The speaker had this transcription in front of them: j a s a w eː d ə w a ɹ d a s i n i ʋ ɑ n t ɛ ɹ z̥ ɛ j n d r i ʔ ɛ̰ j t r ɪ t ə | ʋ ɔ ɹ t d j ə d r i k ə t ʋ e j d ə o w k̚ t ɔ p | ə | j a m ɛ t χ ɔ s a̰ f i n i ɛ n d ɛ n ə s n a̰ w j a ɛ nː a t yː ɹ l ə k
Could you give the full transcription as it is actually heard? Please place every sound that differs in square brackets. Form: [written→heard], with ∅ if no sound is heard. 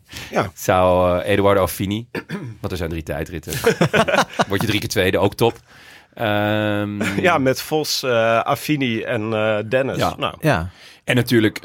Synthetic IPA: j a s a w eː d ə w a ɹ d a [s→f] i n i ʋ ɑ n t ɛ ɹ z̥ ɛ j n d r i [ʔ→t] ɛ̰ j t r ɪ t ə | ʋ ɔ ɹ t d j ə d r i k ə t ʋ e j d ə o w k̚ t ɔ p | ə | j a m ɛ t [χ→f] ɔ s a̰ f i n i ɛ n d ɛ n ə s n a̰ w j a ɛ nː a t yː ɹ l ə k